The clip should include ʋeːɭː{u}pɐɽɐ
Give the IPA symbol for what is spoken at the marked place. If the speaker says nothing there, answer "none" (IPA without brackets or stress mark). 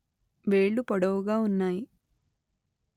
u